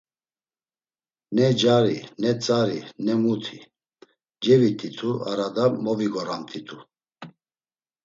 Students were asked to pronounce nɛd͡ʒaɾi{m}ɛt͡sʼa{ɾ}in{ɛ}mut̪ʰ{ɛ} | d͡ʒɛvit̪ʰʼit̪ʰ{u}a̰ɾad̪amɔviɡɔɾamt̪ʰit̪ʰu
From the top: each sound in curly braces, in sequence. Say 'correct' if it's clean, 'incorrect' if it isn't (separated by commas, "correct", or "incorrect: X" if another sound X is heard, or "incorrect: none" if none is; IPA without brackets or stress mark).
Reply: incorrect: n, correct, correct, incorrect: i, correct